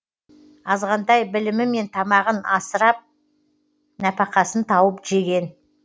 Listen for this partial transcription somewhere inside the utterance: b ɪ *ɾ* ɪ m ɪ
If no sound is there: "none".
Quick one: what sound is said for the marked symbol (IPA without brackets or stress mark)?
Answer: l